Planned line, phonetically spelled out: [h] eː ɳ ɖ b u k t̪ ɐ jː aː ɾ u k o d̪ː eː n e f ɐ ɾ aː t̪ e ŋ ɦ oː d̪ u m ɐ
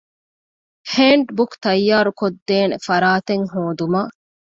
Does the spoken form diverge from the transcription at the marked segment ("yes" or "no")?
no